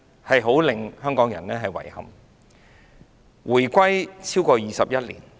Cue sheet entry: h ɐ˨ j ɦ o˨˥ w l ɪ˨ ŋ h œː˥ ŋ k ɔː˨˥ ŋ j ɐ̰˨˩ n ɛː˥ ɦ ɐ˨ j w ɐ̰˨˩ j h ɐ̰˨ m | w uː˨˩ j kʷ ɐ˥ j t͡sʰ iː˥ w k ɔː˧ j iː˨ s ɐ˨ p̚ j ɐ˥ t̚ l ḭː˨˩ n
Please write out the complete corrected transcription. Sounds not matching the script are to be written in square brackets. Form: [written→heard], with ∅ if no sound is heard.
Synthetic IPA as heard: h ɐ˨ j ɦ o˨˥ w l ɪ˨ ŋ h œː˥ ŋ k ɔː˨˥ ŋ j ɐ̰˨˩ n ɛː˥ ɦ ɐ˨ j w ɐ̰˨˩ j h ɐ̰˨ m | w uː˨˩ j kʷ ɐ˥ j t͡sʰ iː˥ w k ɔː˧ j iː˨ s ɐ˨ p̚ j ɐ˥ t̚ l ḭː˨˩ n

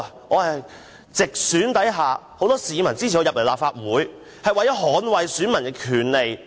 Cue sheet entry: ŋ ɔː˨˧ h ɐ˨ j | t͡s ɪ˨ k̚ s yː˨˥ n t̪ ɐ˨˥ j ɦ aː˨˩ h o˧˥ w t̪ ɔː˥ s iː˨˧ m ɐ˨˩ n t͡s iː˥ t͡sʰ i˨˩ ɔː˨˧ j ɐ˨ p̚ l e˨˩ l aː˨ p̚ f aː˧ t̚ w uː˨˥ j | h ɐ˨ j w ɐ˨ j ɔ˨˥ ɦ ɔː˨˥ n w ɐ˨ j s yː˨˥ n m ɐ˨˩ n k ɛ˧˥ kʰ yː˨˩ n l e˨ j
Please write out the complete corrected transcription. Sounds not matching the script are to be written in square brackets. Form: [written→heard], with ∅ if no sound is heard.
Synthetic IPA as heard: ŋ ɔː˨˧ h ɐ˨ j | t͡s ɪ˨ k̚ s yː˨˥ n t̪ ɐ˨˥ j ɦ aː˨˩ h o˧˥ w t̪ ɔː˥ s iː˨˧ m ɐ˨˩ n t͡s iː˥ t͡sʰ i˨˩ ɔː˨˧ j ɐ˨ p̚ l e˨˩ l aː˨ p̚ f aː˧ t̚ w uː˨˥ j | h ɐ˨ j w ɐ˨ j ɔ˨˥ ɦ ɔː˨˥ n w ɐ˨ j s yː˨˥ n m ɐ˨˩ n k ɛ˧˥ kʰ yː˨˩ n l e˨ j

